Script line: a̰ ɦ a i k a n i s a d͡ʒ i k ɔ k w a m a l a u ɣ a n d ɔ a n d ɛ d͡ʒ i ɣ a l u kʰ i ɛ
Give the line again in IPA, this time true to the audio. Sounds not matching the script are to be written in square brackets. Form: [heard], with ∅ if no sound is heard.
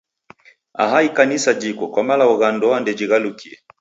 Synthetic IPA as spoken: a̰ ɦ a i k a n i s a d͡ʒ i k ɔ k w a m a l a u ɣ a n d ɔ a n d ɛ d͡ʒ i ɣ a l u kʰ i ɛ